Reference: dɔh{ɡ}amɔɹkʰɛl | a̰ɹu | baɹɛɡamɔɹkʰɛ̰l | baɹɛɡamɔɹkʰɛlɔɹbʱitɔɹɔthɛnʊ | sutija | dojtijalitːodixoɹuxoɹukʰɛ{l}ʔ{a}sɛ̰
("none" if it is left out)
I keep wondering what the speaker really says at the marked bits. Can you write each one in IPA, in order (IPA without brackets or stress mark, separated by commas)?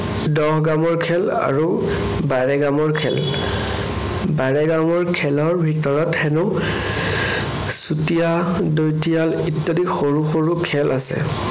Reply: ɡ, l, a